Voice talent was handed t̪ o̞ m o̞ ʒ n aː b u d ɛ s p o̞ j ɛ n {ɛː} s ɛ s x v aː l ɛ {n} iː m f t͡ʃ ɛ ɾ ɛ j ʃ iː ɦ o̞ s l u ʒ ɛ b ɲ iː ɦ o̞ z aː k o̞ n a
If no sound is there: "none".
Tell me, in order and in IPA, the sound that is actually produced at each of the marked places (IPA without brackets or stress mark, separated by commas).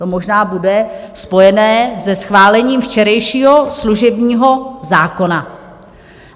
ɛː, ɲ